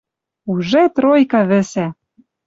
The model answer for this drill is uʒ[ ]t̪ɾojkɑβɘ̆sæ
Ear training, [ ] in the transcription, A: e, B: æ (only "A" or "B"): A